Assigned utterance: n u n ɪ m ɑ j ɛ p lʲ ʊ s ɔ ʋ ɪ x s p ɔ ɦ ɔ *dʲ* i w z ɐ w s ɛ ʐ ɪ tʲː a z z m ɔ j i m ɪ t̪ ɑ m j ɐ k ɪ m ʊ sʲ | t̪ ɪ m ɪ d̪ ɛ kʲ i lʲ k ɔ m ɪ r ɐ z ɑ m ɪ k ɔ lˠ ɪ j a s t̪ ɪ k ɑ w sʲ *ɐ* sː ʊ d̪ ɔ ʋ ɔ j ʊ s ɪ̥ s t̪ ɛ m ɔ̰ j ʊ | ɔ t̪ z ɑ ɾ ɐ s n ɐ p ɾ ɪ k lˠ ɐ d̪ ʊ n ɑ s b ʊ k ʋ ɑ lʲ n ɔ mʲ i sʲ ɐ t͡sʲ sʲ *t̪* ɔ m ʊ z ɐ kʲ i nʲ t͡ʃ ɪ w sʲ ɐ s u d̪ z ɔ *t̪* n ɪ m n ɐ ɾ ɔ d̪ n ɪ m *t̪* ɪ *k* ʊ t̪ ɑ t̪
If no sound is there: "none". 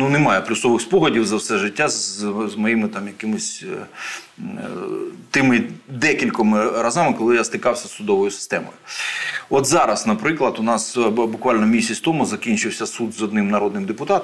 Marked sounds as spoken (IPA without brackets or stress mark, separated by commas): dʲ, ɐ, t̪, d̪, d̪, p